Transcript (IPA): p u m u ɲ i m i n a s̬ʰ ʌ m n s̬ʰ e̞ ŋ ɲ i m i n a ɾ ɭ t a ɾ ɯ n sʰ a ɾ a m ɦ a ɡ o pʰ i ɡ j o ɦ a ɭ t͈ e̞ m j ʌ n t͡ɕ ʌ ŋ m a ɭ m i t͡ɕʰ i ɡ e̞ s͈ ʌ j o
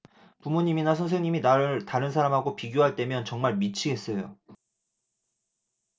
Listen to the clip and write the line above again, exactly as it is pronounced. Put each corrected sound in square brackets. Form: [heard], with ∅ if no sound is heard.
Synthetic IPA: p u m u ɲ i m i n a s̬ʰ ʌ [∅] n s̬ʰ e̞ ŋ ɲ i m i n a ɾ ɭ t a ɾ ɯ n sʰ a ɾ a m ɦ a ɡ o [p] i ɡ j o ɦ a ɭ t͈ e̞ m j ʌ n t͡ɕ ʌ ŋ m a ɭ m i t͡ɕʰ i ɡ e̞ s͈ ʌ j o